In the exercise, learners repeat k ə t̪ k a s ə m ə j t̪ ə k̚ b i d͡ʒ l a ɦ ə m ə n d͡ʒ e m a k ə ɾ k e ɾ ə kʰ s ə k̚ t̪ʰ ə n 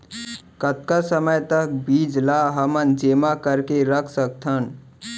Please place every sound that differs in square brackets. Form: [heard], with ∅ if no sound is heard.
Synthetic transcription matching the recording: k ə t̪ k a s ə m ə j t̪ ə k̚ b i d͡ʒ l a ɦ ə m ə n d͡ʒ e m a k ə ɾ k e ɾ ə kʰ s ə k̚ t̪ʰ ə n

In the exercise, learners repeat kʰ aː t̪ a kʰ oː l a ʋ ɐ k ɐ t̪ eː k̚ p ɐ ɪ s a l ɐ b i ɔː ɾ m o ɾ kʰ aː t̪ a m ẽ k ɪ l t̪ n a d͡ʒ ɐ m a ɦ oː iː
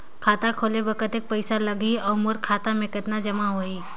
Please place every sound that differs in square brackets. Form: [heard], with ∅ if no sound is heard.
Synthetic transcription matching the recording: kʰ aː t̪ a kʰ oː l [e] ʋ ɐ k [ə] t̪ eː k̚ p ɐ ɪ s a l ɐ [ɡ] i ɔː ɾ m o ɾ kʰ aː t̪ a m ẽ k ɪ [∅] t̪ n a d͡ʒ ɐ m a ɦ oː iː

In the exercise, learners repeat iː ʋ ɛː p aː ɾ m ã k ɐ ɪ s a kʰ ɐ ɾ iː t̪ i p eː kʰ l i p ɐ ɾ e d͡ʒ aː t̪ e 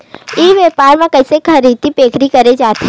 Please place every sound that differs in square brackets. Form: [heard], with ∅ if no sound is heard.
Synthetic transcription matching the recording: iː ʋ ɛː p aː ɾ m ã k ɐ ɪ s [e] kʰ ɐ ɾ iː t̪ i p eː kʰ [ɾ] i [k] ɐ ɾ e d͡ʒ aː t̪ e

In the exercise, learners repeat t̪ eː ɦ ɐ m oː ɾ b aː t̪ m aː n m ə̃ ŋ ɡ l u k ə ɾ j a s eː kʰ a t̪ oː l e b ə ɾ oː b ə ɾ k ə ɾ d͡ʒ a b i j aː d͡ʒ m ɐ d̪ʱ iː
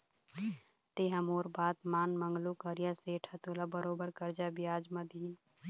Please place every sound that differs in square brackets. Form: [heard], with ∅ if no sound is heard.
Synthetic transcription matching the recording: t̪ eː ɦ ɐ m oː ɾ b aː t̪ m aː n m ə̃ ŋ ɡ l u k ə ɾ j a s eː [ʈʰ] a t̪ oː l [a] b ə ɾ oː b ə ɾ k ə ɾ d͡ʒ a b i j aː d͡ʒ m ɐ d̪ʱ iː

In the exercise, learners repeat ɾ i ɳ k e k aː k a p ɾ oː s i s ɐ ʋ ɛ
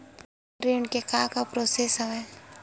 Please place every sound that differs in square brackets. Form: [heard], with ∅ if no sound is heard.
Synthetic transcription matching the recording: ɾ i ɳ k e k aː k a p ɾ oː s [e] s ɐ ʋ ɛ

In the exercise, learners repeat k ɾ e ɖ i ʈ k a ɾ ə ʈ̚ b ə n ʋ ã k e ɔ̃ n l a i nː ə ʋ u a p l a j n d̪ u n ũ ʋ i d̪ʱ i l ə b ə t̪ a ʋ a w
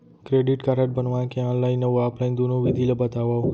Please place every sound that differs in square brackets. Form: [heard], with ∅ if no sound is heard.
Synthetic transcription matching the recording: k ɾ e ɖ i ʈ k a ɾ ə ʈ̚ b ə n ʋ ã k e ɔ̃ n l a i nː ə ʋ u a p l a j n d̪ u n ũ ʋ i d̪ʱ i l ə b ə t̪ a ʋ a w

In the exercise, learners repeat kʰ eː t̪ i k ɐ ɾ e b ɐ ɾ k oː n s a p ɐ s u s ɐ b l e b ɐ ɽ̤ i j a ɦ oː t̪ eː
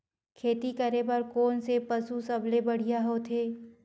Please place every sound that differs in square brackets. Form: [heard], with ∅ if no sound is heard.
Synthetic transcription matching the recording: kʰ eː t̪ i k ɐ ɾ e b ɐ ɾ k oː n s [e] p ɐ s u s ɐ b l e b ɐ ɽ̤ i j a ɦ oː [t̪ʰ] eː

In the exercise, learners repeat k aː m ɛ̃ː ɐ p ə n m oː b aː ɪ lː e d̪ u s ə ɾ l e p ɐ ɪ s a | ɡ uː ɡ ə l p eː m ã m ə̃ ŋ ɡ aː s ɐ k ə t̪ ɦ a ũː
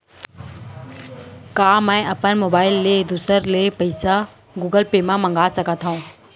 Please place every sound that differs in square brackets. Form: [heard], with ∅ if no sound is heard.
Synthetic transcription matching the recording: k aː m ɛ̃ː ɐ p ə n m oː b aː ɪ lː e d̪ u s ə ɾ l e p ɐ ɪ s a | ɡ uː ɡ ə l p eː m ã m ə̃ ŋ ɡ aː s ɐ k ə t̪ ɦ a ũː

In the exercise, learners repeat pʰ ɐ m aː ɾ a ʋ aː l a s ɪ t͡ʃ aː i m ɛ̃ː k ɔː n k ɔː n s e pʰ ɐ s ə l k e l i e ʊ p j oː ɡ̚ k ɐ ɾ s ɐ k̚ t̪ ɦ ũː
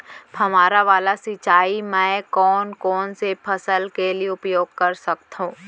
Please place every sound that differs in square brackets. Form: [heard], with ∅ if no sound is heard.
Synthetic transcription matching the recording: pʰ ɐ m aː ɾ a ʋ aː l a s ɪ t͡ʃ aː i m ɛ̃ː k ɔː n k ɔː n s e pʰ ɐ s ə l k e l i e ʊ p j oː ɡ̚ k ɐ ɾ s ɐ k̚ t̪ ɦ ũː

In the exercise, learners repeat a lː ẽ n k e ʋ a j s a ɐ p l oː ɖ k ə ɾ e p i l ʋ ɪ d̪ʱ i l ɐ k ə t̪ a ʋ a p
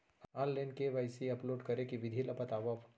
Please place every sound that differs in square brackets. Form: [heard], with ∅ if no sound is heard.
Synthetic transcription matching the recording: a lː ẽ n k e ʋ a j s [i] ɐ p l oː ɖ k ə ɾ e [k] i [∅] ʋ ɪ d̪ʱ i l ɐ [p] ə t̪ a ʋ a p

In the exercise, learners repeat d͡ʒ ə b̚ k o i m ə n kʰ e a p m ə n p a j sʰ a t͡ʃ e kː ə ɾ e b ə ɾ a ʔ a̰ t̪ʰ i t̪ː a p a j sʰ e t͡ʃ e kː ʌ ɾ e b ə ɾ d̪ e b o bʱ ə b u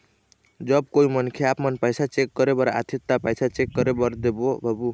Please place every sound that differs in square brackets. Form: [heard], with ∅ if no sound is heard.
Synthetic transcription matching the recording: d͡ʒ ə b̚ k o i m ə n kʰ e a p m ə n p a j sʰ a t͡ʃ e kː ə ɾ e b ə ɾ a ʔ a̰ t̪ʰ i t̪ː a p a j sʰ [a] t͡ʃ e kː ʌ ɾ e b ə ɾ d̪ e b o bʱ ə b u

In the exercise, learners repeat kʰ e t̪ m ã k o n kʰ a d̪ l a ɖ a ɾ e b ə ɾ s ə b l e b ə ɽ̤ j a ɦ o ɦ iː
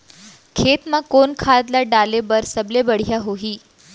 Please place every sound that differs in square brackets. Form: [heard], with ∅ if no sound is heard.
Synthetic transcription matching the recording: kʰ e t̪ m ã k o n kʰ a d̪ l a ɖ a [l] e b ə ɾ s ə b l e b ə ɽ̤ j a ɦ o ɦ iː

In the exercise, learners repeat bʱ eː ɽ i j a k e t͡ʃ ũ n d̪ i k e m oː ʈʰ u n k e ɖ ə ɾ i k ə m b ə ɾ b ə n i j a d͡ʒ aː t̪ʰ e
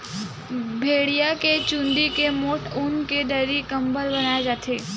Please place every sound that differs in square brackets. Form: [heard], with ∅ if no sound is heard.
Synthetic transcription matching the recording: bʱ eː ɽ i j a k e t͡ʃ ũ n d̪ i k e m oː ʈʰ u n k e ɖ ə ɾ i k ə m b ə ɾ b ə n [a] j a d͡ʒ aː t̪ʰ e

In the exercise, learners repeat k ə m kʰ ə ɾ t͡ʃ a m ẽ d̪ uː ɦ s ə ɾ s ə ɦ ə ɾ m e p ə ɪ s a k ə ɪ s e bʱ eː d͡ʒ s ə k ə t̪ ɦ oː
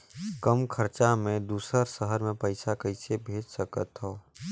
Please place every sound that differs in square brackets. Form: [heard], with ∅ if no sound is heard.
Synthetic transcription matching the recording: k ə m kʰ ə ɾ t͡ʃ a m ẽ d̪ uː [∅] s ə ɾ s ə ɦ ə ɾ m [ẽ] p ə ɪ s a k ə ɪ s e bʱ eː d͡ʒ s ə k ə t̪ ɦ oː

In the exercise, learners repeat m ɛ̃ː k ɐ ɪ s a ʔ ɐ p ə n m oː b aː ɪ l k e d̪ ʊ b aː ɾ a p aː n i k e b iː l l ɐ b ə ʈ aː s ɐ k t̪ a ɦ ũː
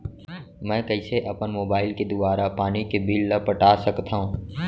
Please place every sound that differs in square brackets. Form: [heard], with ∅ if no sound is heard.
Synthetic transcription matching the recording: m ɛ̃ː k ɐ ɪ s [e] ʔ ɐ p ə n m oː b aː ɪ l k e d̪ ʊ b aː ɾ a p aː n i k e b iː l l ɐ [p] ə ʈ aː s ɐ k t̪ a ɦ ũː

